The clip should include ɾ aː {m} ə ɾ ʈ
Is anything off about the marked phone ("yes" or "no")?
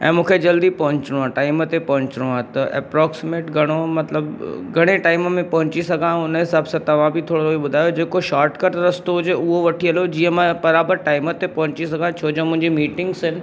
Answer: yes